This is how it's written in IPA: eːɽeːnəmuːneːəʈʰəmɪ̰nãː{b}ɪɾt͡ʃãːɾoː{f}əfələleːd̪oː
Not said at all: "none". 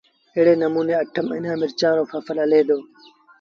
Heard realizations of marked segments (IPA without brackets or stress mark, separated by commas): m, f